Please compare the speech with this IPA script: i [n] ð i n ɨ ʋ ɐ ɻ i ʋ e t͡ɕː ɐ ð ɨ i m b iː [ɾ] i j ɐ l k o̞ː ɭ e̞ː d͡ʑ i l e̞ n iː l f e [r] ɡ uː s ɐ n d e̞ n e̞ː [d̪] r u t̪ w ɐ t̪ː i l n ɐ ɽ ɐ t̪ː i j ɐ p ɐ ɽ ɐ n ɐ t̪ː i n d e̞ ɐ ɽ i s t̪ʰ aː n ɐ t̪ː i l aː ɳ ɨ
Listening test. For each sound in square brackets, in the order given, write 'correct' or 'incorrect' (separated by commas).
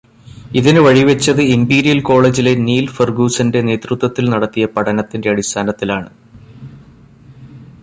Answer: incorrect, correct, correct, incorrect